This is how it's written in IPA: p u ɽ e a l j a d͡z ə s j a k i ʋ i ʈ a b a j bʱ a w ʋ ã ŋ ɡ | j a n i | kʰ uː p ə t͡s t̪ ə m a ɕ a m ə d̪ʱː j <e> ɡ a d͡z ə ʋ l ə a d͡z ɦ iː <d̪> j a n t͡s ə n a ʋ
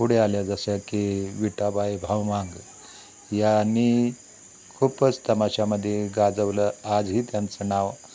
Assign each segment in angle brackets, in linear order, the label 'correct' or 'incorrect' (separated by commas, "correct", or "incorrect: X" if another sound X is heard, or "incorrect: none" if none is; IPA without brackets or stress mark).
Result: correct, incorrect: t̪